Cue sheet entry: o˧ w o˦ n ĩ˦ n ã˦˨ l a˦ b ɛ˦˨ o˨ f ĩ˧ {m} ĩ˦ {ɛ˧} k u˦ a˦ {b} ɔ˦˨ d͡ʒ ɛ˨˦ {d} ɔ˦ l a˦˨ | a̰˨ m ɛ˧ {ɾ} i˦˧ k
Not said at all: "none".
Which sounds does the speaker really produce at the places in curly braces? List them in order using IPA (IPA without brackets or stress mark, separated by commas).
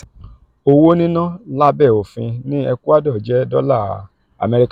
n, ɛ˧, d, d, ɾ